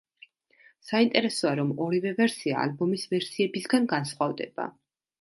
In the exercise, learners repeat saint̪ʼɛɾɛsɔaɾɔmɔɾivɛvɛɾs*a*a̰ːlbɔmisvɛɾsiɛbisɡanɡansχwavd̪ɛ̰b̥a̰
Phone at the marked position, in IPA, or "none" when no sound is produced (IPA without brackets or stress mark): i